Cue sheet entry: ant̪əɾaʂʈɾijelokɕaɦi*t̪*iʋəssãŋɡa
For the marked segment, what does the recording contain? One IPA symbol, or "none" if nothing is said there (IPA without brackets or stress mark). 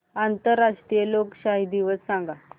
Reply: d̪